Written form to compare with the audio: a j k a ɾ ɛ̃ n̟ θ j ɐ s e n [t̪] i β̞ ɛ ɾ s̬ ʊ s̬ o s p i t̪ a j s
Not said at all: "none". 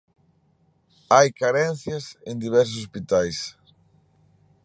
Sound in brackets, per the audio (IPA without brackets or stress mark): d̪